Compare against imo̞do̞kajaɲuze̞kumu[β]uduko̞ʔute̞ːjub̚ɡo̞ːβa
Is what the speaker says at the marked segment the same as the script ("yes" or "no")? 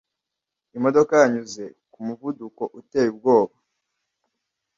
no